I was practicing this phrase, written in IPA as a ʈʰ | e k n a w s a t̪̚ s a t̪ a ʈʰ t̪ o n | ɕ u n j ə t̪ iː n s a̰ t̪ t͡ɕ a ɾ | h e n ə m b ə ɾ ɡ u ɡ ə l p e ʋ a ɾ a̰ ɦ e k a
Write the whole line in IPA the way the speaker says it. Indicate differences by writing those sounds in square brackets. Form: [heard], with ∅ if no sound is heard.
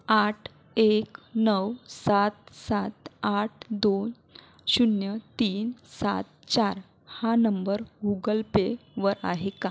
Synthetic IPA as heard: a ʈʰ | e k n [ə] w s a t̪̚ s a t̪ a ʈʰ [d̪] o n | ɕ u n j ə t̪ iː n s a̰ t̪ t͡ɕ a ɾ | h [a] n ə m b ə ɾ ɡ u ɡ ə l p e ʋ [ə] ɾ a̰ ɦ e k a